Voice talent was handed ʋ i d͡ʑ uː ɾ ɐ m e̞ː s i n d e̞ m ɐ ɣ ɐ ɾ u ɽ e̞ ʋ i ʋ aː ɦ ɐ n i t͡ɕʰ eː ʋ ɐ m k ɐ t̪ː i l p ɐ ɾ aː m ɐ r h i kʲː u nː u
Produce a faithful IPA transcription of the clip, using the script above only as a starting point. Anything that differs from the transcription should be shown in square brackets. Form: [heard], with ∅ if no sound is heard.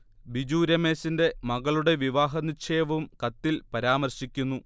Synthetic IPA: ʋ i d͡ʑ uː ɾ ɐ m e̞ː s i n d e̞ m ɐ ɣ ɐ [ɭ] u ɽ e̞ ʋ i ʋ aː ɦ ɐ n i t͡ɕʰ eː ʋ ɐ m k ɐ t̪ː i l p ɐ ɾ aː m ɐ r [ɕ] i kʲː u nː u